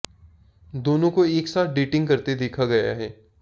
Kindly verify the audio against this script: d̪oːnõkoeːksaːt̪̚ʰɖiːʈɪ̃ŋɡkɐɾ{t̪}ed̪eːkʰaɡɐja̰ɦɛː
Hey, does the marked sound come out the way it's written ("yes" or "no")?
yes